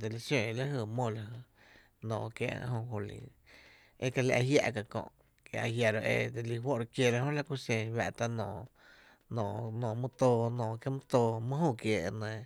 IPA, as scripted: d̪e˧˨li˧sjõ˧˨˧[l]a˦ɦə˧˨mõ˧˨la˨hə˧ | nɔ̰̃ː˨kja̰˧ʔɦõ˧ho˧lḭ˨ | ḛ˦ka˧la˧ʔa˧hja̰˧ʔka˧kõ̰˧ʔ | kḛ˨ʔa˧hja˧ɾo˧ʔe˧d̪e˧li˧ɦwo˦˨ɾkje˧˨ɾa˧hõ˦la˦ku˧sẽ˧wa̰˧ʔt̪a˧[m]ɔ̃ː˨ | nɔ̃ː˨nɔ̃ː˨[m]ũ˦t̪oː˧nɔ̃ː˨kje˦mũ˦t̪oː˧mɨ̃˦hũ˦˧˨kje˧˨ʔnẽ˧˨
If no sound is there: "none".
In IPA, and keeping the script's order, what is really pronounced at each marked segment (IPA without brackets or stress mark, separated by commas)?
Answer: l, n, m